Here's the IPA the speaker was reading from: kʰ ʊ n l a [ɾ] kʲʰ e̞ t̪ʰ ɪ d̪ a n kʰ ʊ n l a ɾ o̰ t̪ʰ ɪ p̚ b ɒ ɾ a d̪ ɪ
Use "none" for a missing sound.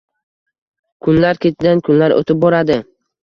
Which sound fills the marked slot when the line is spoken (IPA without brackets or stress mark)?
ɾ